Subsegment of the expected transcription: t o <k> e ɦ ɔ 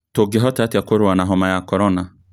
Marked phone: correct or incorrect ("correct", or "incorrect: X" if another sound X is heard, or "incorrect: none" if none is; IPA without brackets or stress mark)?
incorrect: ɡ